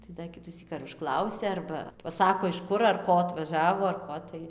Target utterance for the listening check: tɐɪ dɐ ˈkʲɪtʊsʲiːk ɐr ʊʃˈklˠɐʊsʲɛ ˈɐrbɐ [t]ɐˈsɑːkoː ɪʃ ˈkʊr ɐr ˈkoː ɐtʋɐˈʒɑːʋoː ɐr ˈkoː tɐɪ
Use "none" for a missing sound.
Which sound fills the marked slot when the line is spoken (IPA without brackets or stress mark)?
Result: p